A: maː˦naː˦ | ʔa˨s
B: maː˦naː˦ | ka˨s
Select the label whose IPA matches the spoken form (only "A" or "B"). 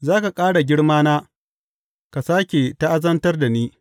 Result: B